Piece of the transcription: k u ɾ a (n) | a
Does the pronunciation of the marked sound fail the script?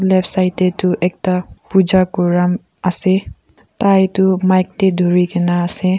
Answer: yes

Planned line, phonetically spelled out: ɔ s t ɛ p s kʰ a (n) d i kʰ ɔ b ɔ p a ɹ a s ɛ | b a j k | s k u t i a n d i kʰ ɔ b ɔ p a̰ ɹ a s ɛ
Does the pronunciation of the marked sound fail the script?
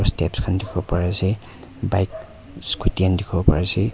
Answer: no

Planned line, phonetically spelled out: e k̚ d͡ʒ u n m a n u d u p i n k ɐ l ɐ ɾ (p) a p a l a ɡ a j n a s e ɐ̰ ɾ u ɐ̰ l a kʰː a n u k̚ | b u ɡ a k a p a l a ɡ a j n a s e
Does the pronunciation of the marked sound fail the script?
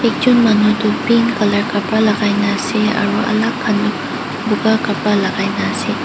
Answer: yes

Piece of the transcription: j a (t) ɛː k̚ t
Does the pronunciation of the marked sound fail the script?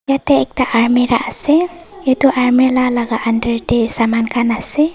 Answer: no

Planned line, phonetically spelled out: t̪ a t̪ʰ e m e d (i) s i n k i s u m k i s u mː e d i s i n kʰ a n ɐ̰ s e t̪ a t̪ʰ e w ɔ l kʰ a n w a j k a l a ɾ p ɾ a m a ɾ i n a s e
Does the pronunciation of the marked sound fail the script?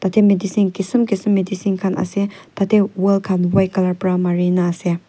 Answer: no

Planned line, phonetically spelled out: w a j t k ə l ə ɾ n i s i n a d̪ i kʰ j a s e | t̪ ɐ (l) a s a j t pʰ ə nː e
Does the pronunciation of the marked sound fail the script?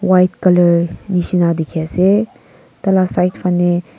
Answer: no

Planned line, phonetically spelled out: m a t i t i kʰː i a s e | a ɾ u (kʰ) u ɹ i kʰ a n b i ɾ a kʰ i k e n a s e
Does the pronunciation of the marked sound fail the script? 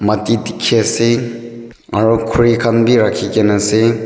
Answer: no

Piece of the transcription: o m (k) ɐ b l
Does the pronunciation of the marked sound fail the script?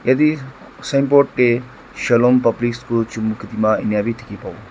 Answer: yes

